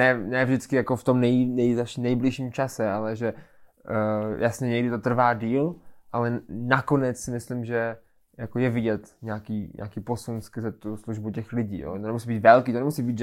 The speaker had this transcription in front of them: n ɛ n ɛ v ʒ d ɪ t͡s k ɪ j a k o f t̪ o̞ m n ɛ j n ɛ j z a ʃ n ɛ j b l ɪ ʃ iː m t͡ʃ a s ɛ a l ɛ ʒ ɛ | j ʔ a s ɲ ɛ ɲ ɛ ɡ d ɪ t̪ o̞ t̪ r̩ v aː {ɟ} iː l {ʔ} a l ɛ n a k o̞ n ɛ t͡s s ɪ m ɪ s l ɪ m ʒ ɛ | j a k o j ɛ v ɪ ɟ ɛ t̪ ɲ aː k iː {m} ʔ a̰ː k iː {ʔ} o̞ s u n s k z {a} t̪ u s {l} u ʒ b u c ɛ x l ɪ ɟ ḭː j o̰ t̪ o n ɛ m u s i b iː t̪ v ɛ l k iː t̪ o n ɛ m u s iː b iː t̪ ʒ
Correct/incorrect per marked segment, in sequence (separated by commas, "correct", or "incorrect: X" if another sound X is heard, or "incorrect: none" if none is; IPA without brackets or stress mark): incorrect: d, correct, incorrect: ɲ, incorrect: p, incorrect: ɛ, correct